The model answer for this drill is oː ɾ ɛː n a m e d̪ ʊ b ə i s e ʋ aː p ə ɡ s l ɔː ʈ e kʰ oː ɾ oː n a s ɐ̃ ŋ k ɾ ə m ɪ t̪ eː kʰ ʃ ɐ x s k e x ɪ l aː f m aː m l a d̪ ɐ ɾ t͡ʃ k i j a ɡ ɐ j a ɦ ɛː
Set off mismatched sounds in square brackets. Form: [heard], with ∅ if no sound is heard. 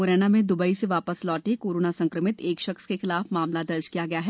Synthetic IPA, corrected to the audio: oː ɾ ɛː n a m [ẽ] d̪ ʊ b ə i s e ʋ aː p ə [∅] s l ɔː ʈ e [k] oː ɾ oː n a s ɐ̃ ŋ k ɾ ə m ɪ t̪ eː [k] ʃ ɐ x s k e x ɪ l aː f m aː m l a d̪ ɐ ɾ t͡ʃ k i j a ɡ ɐ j a ɦ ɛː